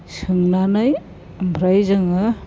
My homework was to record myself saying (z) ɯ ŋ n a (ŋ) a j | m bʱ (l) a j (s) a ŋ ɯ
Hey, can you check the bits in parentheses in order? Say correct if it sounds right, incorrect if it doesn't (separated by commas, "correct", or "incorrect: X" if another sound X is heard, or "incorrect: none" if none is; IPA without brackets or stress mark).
incorrect: s, incorrect: n, incorrect: ɾ, incorrect: z